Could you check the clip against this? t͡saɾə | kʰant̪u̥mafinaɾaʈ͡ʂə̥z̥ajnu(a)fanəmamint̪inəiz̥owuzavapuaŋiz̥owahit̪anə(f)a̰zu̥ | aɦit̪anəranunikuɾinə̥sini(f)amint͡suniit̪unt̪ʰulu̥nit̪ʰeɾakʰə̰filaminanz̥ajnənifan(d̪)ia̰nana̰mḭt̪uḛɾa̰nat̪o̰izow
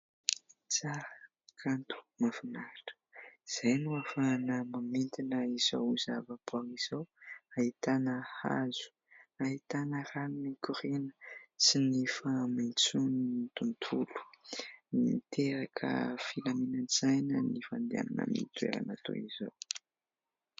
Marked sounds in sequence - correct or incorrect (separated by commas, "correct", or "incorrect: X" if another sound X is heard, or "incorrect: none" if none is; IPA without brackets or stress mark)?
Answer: correct, incorrect: h, correct, correct